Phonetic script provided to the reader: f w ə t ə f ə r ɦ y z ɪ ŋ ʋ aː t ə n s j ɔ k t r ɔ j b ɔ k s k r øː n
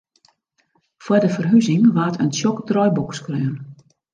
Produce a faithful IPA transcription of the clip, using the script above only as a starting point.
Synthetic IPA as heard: f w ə d ə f ə r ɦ y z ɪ ŋ ʋ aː t ə n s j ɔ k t r ɔ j b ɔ k s k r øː n